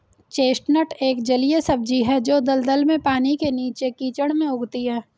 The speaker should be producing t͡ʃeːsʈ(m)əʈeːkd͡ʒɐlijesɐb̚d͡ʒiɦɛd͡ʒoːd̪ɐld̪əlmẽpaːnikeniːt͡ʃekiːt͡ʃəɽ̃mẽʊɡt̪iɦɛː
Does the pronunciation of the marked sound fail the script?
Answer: yes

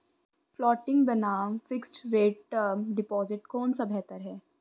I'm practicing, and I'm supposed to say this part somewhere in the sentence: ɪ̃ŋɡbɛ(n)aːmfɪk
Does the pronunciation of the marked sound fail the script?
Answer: no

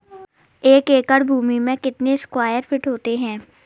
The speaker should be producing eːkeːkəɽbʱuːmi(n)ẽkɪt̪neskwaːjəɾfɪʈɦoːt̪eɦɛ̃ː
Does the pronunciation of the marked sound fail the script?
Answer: yes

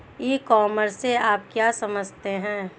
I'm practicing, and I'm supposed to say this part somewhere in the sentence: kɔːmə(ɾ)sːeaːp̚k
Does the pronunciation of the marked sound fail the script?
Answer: no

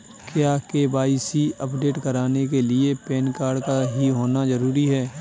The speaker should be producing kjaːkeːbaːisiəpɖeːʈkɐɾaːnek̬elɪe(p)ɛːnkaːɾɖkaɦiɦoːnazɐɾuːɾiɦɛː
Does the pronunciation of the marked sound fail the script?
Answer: no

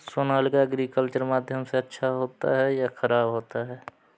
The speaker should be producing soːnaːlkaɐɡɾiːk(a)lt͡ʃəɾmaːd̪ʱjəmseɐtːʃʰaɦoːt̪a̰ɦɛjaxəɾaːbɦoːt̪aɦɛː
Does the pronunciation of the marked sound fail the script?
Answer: yes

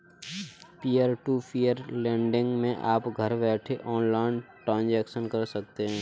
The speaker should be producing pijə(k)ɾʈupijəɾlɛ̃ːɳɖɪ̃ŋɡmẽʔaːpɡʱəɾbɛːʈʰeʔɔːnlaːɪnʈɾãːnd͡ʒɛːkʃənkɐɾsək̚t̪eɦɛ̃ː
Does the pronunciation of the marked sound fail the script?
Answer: yes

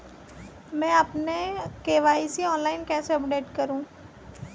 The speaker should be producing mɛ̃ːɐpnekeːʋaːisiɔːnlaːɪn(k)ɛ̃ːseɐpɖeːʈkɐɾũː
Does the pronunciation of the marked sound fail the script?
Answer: no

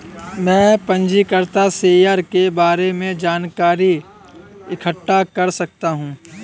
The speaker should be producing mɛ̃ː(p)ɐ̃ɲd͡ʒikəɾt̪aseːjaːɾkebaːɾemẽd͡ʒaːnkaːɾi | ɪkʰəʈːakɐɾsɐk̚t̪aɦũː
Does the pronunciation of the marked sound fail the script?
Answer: no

